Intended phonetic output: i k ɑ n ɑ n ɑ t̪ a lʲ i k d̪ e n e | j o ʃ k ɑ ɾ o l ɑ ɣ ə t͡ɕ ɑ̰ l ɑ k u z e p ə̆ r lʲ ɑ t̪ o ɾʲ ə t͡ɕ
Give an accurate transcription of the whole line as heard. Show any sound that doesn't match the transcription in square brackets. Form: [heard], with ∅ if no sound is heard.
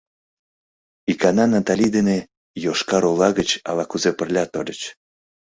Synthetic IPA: i k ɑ n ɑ n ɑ t̪ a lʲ i [∅] d̪ e n e | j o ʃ k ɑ ɾ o l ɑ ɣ ə t͡ɕ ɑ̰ l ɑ k u z e p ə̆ r lʲ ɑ t̪ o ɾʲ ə t͡ɕ